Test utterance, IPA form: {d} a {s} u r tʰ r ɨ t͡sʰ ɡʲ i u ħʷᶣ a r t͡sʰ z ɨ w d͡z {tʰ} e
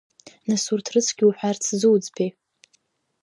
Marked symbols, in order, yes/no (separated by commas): no, yes, no